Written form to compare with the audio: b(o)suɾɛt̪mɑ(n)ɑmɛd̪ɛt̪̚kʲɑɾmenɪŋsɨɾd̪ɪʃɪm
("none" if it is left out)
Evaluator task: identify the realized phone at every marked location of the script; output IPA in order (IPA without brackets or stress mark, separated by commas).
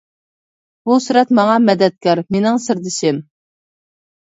u, ŋ